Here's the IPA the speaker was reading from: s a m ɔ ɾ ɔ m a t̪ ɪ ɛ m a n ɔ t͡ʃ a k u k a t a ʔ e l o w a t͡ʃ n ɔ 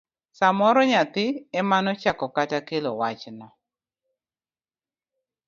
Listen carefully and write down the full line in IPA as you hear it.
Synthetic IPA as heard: s a m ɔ ɾ ɔ ɲ a t̪ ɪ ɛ m a n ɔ t͡ʃ a k ɔ k a t a k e l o w a t͡ʃ n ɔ